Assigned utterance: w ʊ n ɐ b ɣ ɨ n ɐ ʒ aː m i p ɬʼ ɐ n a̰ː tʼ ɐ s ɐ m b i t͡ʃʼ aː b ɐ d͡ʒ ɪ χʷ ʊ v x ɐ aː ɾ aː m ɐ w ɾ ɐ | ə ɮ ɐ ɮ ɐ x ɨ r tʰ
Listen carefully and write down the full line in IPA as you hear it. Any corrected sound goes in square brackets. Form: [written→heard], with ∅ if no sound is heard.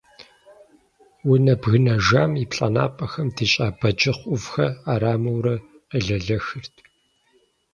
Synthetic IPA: w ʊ n ɐ b ɣ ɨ n ɐ ʒ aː m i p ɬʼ ɐ n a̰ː [tʼ→pʼ] ɐ [s→x] ɐ m [b→d] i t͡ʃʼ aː b ɐ d͡ʒ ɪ χʷ ʊ v x ɐ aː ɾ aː m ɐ w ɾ ɐ | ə ɮ ɐ ɮ ɐ x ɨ r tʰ

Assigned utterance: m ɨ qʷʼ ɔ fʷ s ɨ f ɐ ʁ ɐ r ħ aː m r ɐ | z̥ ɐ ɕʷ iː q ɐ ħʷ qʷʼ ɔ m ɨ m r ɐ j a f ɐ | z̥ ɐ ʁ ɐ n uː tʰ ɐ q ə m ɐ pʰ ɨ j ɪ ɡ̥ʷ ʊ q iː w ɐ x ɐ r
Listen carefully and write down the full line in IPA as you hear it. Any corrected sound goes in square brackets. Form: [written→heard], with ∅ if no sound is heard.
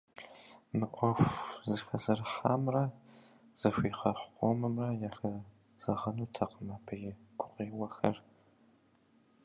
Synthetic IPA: m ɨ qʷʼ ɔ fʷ [s→z] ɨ [f→x] ɐ [ʁ→z] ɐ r ħ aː m r ɐ | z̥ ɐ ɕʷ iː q ɐ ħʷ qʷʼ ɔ m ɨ m r ɐ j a [f→x] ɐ | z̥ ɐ ʁ ɐ n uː tʰ ɐ q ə m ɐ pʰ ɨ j ɪ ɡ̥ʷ ʊ q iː w ɐ x ɐ r

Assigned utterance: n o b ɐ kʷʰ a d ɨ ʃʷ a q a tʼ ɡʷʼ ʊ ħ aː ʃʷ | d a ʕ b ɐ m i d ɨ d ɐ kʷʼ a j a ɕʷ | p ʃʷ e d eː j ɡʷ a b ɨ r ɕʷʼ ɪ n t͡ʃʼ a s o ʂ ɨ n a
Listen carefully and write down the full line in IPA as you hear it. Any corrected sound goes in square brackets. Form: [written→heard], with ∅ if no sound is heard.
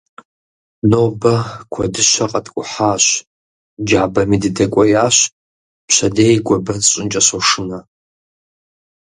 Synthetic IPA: n o b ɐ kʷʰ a d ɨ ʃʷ a [q→qʼ] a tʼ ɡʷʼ ʊ ħ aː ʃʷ | [d→d͡ʒ] a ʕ b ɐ m i d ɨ d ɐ kʷʼ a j a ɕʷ | p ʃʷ [e→a] d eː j ɡʷ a b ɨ r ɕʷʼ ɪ n t͡ʃʼ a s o ʂ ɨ n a

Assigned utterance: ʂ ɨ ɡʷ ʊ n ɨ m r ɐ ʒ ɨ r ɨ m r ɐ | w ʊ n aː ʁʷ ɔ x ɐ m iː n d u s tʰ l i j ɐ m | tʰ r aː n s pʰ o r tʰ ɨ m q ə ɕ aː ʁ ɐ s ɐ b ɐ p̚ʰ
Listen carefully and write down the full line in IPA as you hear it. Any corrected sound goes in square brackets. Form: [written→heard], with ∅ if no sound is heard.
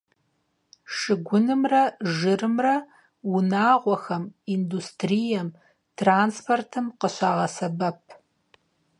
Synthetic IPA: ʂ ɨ ɡʷ ʊ n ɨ m r ɐ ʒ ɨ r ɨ m r ɐ | w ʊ n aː ʁʷ ɔ x ɐ m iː n d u s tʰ [l→r] i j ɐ m | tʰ r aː n s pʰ o r tʰ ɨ m q ə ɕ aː ʁ ɐ s ɐ b ɐ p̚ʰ

